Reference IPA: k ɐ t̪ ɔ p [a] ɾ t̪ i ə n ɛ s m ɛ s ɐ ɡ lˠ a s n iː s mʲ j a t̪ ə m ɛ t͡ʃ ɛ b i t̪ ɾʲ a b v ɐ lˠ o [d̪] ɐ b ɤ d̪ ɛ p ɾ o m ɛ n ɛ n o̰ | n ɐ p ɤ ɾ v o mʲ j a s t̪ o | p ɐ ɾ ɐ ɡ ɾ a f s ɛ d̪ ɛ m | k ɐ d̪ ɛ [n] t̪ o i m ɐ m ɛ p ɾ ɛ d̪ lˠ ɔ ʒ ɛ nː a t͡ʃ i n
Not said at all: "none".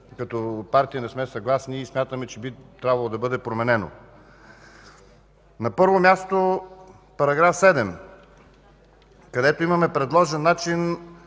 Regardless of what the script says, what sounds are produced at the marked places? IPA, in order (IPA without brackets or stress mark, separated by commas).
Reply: a, d̪, none